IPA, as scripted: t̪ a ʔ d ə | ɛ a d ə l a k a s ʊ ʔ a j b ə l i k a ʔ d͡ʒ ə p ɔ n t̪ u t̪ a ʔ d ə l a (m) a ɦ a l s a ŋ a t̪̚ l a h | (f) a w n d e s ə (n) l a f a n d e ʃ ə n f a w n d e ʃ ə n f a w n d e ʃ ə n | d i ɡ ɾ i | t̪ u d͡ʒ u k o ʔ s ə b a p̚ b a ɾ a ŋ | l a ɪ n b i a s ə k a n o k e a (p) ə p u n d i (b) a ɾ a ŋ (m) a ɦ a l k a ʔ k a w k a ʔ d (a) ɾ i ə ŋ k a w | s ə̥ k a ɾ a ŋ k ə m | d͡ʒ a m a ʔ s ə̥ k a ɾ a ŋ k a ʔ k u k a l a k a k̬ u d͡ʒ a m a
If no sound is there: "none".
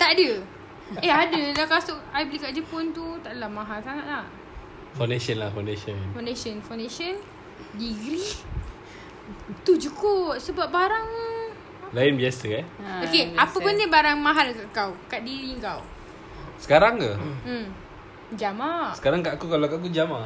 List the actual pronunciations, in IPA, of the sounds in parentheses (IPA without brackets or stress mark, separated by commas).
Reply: m, f, n, p, b, m, i